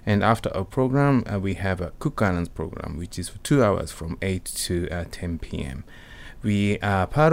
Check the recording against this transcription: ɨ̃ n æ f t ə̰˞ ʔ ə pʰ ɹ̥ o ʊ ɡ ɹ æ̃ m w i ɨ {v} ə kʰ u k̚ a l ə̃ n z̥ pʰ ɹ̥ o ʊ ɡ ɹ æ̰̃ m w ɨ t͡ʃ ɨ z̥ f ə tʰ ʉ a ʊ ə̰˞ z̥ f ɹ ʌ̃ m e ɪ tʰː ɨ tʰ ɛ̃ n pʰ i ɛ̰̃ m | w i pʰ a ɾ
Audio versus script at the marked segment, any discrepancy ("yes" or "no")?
no